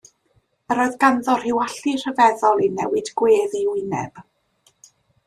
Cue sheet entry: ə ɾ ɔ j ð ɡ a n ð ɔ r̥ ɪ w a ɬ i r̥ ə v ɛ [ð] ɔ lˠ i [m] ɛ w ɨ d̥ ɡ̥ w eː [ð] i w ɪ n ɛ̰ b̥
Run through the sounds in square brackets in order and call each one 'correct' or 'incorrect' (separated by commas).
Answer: correct, incorrect, correct